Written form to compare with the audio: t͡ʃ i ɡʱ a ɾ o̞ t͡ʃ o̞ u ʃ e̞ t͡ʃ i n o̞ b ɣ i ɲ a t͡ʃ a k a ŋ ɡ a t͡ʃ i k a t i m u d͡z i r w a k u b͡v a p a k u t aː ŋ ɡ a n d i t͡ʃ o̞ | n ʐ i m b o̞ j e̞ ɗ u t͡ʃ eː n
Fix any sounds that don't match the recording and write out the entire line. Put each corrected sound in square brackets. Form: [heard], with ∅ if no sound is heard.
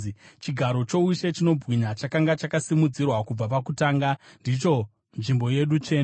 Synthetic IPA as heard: t͡ʃ i ɡʱ a ɾ o̞ t͡ʃ o̞ u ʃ e̞ t͡ʃ i n o̞ b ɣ i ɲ a t͡ʃ a k a ŋ ɡ a t͡ʃ [a] k a [s] i m u d͡z i r w a k u b͡v a p a k u t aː ŋ ɡ a n d i t͡ʃ o̞ | n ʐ i m b o̞ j e̞ ɗ u t͡ʃ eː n